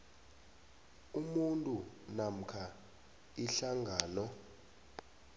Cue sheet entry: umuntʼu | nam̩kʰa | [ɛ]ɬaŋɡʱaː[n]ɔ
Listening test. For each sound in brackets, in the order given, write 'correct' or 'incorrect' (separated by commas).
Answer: incorrect, correct